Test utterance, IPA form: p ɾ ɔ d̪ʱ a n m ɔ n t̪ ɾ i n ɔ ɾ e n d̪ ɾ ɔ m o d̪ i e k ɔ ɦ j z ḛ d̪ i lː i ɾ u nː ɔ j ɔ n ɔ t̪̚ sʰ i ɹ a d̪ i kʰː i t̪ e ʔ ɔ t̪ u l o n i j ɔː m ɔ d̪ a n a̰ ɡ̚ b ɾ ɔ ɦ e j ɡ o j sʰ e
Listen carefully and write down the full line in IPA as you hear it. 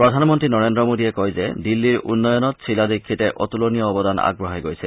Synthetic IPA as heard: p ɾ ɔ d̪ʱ a n m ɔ n t̪ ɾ i n ɔ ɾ e n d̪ ɾ ɔ m o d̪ i e k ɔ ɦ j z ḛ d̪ i lː i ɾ u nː ɔ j ɔ n ɔ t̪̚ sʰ i l a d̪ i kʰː i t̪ e ʔ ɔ t̪ u l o n i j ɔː b ɔ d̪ a n a̰ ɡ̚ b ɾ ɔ ɦ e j ɡ o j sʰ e